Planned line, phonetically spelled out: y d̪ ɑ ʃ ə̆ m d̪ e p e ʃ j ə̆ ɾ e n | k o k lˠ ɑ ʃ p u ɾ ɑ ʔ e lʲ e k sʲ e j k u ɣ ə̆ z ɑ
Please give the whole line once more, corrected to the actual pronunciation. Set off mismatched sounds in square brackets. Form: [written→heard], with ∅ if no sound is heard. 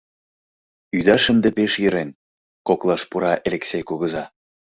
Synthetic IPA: y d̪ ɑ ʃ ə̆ [m→n] d̪ e p e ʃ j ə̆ ɾ e n | k o k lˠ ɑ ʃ p u ɾ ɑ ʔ e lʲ e k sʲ e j k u ɣ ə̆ z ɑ